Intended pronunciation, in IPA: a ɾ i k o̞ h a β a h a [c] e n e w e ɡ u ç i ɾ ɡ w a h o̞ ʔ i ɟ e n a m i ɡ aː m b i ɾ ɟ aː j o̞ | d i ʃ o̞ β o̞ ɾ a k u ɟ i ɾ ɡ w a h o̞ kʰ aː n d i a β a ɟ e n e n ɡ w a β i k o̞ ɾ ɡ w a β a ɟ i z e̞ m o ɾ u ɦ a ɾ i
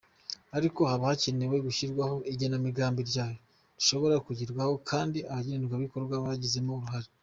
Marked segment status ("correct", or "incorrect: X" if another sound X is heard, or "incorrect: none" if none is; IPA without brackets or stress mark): correct